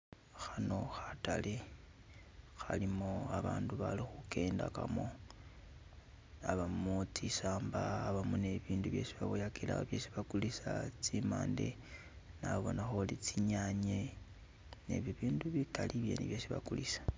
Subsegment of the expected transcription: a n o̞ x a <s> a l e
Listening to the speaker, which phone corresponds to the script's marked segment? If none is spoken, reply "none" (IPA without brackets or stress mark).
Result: t